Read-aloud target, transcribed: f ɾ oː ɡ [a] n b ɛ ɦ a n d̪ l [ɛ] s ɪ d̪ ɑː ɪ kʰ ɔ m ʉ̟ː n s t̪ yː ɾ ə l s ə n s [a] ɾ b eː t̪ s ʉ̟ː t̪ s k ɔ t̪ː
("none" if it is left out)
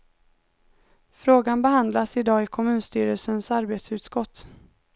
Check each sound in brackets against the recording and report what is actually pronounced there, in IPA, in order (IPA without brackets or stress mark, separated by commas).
a, a, a